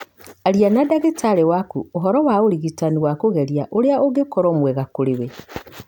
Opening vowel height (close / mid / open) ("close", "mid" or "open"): open